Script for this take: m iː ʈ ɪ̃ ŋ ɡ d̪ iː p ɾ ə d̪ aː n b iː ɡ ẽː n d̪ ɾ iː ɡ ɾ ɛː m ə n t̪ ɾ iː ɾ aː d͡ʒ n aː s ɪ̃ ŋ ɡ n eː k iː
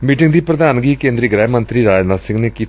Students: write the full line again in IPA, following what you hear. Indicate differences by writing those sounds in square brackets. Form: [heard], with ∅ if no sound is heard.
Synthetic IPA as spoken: m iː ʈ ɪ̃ ŋ ɡ d̪ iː p ɾ ə d̪ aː n [ɡ] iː [k] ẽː n d̪ ɾ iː ɡ ɾ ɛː m ə n t̪ ɾ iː ɾ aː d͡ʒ n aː s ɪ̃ ŋ ɡ n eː k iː